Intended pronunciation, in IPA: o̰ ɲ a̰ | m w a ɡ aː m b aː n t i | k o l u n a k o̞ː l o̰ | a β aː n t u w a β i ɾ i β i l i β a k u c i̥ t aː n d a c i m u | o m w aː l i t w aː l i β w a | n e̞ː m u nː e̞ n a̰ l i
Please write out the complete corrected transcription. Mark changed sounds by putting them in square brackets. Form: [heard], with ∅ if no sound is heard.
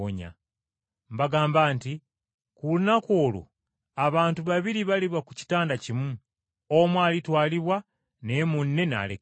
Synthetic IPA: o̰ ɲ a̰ | m [b] a ɡ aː m b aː n t i | k [u] l u n a k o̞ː l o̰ | a β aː n t u [β] a β i ɾ i β [a] l i β a k u c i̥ t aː n d a c i m u | o m w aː l i t w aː l i β w a | n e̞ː m u nː e̞ n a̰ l [e]